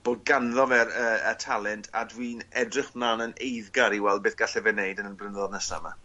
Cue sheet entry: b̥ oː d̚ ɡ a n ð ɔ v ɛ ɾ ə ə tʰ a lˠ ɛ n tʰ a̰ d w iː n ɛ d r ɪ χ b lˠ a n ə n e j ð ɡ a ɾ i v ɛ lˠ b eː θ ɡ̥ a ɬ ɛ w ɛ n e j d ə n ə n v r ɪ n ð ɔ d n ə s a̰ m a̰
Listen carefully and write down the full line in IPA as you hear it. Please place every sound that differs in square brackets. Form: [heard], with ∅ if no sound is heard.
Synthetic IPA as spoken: b̥ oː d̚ ɡ a n ð ɔ v ɛ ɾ ə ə tʰ a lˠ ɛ n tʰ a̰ d w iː n ɛ d r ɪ χ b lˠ a n ə n e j ð ɡ a ɾ i [w] ɛ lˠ b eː θ ɡ̥ a ɬ ɛ [v] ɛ n e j d ə n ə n [b] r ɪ n ð ɔ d n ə s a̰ m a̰